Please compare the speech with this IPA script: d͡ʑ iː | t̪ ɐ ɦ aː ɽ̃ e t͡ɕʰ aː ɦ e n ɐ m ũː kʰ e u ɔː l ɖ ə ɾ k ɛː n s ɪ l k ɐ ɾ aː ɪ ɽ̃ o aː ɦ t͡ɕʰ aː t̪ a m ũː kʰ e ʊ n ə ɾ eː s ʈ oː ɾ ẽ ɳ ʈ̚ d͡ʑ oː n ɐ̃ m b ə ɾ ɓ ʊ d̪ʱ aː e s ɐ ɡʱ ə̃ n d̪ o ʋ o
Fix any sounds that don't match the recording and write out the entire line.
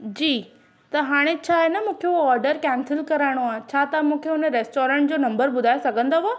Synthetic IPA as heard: d͡ʑ iː | t̪ ɐ ɦ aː ɽ̃ e t͡ɕʰ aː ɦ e n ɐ m ũː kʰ e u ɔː ɾ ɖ ə ɾ k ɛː n s ɪ l k ɐ ɾ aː ɪ ɽ̃ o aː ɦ t͡ɕʰ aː t̪ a m ũː kʰ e ʊ n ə ɾ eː s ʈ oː ɾ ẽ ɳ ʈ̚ d͡ʑ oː n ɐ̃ m b ə ɾ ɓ ʊ d̪ʱ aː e s ɐ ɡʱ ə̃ n d̪ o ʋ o